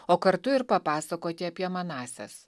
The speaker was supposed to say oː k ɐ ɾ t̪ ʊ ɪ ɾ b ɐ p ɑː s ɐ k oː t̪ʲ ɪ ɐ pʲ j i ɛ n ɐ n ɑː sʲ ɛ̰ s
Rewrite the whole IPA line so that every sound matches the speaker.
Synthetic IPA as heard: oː k ɐ ɾ t̪ ʊ ɪ ɾ p ɐ p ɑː s ɐ k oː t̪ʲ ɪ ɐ pʲ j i ɛ m ɐ n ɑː sʲ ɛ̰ s